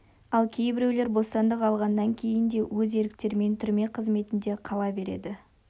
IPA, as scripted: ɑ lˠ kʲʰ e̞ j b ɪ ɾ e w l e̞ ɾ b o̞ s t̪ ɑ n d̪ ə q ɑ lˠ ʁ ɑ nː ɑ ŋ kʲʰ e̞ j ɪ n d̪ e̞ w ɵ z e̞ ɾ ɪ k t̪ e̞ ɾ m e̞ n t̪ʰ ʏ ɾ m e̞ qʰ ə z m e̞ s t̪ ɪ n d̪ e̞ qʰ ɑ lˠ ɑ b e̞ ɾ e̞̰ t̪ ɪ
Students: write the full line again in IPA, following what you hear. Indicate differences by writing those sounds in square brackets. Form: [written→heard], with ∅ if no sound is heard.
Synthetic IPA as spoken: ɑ lˠ kʲʰ e̞ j b ɪ ɾ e w l e̞ ɾ b o̞ s t̪ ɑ n d̪ ə q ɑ lˠ ʁ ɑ nː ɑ ŋ kʲʰ e̞ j ɪ n d̪ e̞ w ɵ z e̞ ɾ ɪ k t̪ e̞ ɾ m e̞ n t̪ʰ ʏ ɾ m e̞ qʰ ə z m e̞ [s→∅] t̪ ɪ n d̪ e̞ qʰ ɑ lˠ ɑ b e̞ ɾ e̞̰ [t̪→d̪] ɪ